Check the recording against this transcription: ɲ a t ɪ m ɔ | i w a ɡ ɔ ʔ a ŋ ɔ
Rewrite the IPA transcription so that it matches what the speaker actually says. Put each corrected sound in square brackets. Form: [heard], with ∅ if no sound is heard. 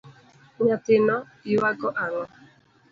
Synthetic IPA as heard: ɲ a t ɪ [n] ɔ | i w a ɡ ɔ ʔ a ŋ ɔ